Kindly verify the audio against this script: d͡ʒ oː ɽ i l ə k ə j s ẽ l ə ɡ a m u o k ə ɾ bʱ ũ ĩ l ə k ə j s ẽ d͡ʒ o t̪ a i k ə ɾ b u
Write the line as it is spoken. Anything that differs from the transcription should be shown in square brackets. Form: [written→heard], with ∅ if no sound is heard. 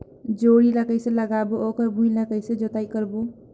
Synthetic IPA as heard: d͡ʒ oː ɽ i l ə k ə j s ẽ l ə ɡ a [m→b] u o k ə ɾ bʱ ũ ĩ l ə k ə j s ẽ d͡ʒ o t̪ a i k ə ɾ b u